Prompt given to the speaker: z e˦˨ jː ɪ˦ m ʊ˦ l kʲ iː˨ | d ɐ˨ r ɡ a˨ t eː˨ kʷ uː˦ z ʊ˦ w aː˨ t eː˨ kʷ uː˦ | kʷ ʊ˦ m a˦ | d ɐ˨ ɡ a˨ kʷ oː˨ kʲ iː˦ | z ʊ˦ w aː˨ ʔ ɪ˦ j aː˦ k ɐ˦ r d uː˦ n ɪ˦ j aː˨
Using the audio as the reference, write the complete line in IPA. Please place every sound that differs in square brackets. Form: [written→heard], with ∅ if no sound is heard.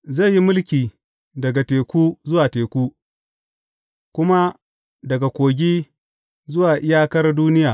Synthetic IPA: z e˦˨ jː [ɪ˦→i˦] m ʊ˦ l kʲ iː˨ | d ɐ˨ [r→∅] ɡ a˨ t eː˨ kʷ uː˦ z ʊ˦ w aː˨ t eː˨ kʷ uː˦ | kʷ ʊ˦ m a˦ | d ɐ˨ ɡ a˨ kʷ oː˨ [kʲ→ɡʲ] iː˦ | z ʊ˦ w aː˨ ʔ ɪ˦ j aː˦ k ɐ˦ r d uː˦ n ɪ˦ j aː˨